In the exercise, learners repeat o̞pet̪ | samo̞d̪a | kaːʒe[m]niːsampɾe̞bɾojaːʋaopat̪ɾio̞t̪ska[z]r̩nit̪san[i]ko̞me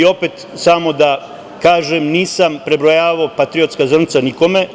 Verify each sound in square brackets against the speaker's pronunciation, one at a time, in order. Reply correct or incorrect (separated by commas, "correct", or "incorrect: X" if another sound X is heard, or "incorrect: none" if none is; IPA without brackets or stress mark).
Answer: correct, correct, correct